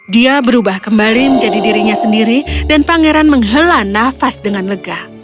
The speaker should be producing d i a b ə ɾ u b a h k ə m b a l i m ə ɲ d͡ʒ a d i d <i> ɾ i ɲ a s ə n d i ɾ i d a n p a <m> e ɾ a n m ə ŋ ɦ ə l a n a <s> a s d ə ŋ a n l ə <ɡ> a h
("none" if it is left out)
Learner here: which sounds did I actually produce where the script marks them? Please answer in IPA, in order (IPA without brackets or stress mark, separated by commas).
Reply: i, ŋ, f, ɡ